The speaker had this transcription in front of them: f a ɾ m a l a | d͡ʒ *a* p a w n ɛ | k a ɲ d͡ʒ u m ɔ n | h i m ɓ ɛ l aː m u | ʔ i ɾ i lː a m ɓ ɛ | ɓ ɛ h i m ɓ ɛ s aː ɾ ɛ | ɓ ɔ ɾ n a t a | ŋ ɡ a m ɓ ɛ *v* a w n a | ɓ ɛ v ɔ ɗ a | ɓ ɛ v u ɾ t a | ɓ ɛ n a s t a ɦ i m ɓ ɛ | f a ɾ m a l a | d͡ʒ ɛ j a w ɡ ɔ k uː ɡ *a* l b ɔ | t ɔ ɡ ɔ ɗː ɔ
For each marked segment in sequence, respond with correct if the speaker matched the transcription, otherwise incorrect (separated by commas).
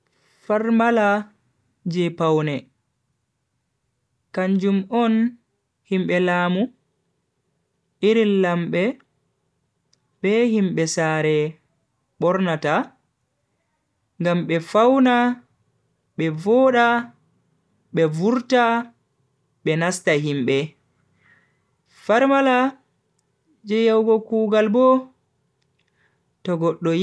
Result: incorrect, incorrect, correct